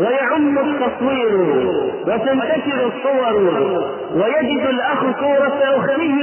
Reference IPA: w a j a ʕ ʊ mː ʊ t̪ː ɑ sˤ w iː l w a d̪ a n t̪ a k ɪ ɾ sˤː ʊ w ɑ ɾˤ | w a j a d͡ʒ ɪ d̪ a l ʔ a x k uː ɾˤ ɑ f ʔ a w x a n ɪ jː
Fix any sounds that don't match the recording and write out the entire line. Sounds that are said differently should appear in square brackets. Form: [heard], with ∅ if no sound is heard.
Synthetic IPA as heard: w a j a ʕ ʊ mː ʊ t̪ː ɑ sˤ w iː [ɾ] w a [t̪] a n t̪ a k ɪ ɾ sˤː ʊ w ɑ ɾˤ | w a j a d͡ʒ ɪ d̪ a l ʔ a x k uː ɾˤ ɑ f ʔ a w x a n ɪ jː